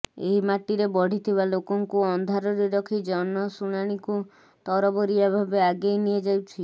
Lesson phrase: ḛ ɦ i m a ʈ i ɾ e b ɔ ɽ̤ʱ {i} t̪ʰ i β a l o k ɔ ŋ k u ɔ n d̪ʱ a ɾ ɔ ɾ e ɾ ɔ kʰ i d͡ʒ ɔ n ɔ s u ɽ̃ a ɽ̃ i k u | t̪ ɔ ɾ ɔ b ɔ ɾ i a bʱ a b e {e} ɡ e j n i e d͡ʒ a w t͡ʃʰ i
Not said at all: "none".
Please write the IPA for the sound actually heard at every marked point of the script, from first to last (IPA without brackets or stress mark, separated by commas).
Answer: i, a